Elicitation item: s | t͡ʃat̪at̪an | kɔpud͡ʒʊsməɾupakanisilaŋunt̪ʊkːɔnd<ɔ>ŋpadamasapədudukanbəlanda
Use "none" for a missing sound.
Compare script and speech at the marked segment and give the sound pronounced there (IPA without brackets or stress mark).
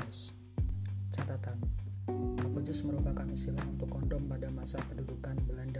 ɔ